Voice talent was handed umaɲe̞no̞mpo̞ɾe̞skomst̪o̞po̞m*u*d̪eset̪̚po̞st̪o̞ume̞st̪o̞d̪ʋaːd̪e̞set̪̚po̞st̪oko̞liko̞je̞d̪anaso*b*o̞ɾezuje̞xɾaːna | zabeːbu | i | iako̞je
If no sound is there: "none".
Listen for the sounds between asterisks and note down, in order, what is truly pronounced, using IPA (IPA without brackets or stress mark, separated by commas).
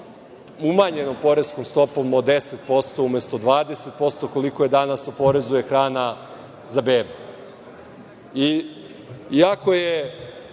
o, p